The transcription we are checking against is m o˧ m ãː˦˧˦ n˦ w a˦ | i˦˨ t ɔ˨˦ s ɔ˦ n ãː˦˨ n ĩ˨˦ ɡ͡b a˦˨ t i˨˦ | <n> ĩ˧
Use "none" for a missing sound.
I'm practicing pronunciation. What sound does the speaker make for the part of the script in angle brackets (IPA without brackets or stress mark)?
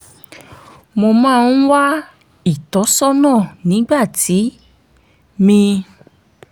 m